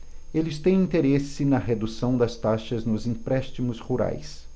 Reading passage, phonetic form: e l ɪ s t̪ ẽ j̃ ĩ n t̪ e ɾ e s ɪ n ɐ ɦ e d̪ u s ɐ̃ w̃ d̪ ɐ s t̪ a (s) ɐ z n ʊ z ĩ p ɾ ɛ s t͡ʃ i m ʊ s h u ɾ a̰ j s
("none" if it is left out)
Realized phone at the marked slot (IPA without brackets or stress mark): ʃ